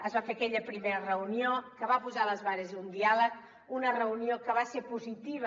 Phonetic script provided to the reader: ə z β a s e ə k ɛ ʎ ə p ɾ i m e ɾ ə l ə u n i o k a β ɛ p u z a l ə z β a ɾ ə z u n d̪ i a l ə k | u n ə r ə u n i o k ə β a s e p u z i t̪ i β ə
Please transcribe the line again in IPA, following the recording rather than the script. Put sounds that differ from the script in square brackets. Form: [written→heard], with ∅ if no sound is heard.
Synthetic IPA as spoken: ə z β a [s→f] e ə k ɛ ʎ ə p ɾ i m e ɾ ə [l→r] ə u n i o k [a→ə] β [ɛ→a] p u z a l ə z β a ɾ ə z u n d̪ i a l ə k | u n ə r ə u n i o k ə β a s e p u z i t̪ i β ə